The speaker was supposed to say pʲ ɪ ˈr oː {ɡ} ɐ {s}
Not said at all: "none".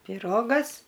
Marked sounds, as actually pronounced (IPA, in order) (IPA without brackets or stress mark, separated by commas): ɡ, s